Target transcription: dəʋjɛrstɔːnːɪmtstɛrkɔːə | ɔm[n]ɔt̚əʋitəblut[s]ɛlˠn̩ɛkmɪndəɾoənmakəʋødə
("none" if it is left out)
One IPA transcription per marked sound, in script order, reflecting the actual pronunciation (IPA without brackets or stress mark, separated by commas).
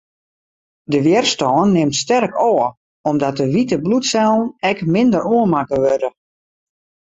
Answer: d, s